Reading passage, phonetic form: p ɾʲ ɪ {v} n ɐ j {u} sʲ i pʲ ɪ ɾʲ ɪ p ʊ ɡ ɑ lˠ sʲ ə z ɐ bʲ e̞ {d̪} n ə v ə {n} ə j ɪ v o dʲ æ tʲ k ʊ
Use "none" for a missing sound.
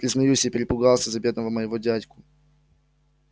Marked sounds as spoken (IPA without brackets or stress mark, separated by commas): z, u, d̪, m